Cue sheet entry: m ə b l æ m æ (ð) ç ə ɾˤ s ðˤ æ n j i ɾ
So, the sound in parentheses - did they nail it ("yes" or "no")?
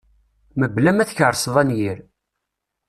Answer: no